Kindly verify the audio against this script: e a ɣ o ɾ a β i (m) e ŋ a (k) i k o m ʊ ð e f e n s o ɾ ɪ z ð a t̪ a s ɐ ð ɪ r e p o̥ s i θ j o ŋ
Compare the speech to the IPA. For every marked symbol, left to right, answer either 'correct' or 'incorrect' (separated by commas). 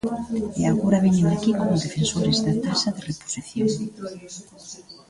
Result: incorrect, correct